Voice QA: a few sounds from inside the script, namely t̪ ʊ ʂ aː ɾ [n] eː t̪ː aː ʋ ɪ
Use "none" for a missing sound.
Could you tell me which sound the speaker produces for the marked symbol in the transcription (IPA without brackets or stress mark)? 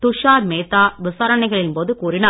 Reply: m